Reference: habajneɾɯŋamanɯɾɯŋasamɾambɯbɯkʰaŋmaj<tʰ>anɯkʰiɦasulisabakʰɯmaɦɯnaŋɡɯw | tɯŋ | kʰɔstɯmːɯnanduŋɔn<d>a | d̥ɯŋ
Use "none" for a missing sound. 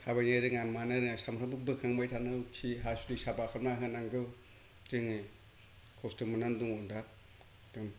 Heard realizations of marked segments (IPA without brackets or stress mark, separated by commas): tʰ, d